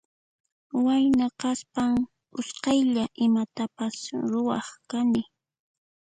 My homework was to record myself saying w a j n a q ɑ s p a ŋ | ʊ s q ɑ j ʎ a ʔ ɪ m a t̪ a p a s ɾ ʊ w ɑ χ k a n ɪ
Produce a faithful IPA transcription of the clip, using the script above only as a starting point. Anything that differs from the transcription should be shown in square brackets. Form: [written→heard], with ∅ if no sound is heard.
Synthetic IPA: w a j n a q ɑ s p a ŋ | ʊ s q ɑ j ʎ a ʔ ɪ m a t̪ a p a s ɾ ʊ w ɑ χ k a n ɪ